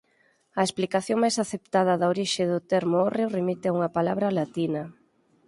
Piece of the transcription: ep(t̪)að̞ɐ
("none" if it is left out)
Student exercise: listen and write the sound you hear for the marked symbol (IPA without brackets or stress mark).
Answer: t̪